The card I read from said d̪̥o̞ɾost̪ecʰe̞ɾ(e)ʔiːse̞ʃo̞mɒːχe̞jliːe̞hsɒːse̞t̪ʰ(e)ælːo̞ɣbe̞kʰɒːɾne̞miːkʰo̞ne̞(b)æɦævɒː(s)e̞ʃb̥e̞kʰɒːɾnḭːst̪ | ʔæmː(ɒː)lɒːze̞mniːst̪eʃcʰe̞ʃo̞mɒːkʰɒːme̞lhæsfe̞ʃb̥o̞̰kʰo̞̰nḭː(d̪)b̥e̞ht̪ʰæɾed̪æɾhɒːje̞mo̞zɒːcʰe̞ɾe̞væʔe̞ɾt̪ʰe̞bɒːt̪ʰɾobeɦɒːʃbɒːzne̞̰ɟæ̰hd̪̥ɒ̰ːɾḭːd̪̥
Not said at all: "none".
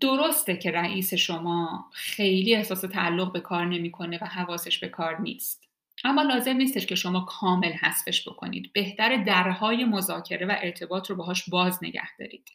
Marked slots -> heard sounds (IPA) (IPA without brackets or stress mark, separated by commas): æ, æ, v, s, ɒː, d̪